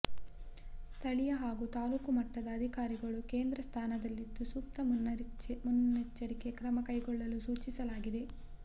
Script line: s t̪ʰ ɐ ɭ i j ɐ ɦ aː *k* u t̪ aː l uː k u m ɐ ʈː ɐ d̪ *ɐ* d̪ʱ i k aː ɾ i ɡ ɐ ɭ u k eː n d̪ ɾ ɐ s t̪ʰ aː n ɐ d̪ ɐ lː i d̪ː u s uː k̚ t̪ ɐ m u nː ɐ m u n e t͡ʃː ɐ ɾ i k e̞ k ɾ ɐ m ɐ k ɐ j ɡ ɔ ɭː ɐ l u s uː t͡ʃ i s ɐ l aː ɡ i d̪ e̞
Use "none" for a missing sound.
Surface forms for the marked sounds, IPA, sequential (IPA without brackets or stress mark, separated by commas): ɡ, ɐː